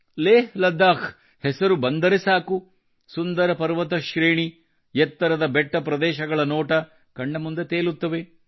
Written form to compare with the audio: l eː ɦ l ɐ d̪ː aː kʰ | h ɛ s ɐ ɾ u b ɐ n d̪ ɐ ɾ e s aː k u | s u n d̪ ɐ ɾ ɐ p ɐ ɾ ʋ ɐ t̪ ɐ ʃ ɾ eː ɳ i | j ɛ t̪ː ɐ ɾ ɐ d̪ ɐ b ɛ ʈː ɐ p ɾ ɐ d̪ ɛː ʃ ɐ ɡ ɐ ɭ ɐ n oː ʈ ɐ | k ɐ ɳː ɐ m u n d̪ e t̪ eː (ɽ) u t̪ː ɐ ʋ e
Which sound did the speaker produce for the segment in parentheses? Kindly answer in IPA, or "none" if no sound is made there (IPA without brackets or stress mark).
l